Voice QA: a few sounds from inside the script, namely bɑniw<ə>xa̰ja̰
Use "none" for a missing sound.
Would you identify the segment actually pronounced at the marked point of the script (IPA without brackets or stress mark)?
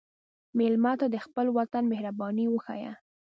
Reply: ə